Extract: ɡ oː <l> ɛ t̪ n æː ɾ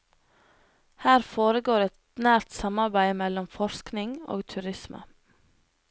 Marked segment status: incorrect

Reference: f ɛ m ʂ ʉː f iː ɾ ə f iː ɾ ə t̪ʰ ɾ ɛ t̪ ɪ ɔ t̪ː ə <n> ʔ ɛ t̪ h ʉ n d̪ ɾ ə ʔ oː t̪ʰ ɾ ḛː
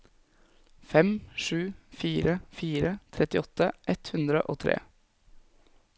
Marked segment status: incorrect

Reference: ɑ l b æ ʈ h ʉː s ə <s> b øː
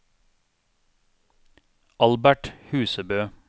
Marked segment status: incorrect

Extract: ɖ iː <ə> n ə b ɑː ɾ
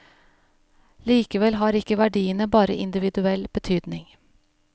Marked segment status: correct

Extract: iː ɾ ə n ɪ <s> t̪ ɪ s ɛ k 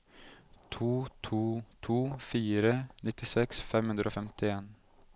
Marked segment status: incorrect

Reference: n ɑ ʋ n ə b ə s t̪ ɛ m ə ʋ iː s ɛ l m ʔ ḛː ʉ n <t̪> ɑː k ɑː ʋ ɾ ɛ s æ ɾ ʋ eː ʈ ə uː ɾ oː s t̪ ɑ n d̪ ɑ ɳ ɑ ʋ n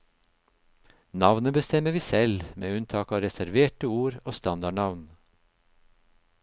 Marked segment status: incorrect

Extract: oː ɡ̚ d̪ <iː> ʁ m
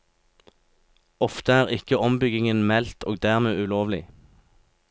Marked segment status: incorrect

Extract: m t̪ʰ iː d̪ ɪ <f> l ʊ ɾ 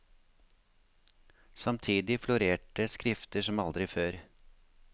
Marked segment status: correct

